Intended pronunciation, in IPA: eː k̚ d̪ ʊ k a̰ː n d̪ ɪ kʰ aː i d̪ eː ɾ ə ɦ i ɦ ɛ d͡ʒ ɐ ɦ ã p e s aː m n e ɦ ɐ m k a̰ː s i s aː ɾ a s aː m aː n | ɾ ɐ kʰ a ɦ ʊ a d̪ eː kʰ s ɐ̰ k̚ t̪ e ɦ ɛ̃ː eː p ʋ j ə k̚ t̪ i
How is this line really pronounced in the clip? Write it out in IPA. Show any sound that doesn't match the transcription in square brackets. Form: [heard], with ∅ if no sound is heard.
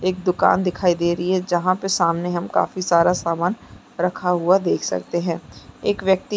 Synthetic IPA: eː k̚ d̪ ʊ k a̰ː n d̪ ɪ kʰ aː i d̪ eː ɾ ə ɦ i ɦ ɛ d͡ʒ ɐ ɦ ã p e s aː m n e ɦ ɐ m k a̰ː [f] i s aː ɾ a s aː m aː n | ɾ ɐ kʰ a ɦ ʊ a d̪ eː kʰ s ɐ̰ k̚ t̪ e ɦ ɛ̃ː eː [k] ʋ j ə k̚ t̪ i